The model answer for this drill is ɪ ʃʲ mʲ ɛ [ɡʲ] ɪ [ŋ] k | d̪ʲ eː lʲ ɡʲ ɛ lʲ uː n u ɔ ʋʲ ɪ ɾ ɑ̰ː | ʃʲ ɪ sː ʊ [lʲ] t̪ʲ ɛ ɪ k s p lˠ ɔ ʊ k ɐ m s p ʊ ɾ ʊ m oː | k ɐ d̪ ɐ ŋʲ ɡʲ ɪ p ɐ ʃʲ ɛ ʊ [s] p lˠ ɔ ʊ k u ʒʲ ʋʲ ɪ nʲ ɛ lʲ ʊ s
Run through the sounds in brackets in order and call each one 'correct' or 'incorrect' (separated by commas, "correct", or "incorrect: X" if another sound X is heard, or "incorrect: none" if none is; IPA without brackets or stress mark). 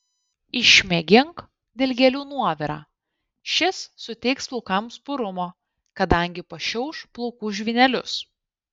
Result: correct, correct, incorrect: none, incorrect: ʃ